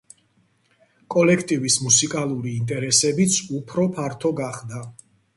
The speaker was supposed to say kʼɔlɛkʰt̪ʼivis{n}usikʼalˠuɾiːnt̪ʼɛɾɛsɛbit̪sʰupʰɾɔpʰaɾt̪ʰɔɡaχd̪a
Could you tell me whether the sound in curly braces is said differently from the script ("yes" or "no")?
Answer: yes